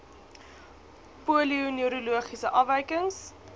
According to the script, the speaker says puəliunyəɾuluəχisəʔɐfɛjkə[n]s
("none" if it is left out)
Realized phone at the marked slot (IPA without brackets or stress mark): ŋ